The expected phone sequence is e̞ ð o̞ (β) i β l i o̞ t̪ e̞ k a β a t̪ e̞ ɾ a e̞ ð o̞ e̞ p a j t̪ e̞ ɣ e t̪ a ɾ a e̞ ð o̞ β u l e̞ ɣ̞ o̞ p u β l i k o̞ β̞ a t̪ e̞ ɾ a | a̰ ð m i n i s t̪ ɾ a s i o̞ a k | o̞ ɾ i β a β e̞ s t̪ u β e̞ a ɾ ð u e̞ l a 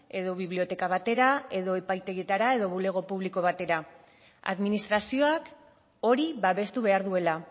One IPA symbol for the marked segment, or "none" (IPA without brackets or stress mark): β